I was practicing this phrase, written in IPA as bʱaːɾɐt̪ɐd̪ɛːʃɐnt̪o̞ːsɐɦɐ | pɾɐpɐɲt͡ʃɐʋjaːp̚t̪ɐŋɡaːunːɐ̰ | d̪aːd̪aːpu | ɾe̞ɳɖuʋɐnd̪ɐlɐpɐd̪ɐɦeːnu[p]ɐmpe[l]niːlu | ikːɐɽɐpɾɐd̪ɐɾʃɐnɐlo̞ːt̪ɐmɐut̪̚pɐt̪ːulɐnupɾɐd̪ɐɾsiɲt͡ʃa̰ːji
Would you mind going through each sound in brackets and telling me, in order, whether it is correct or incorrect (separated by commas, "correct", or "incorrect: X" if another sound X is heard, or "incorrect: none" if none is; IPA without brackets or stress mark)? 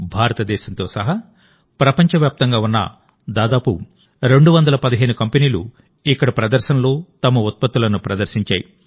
incorrect: k, incorrect: none